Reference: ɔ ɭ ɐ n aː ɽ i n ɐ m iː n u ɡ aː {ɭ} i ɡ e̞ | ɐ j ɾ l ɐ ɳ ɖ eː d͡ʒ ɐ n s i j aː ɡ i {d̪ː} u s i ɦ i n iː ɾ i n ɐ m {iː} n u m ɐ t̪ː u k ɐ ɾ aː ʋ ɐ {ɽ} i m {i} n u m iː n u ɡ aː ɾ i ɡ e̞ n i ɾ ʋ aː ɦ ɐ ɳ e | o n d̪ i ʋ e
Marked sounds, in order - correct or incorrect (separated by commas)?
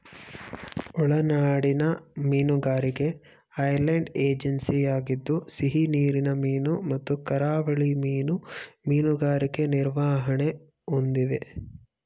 incorrect, correct, correct, incorrect, incorrect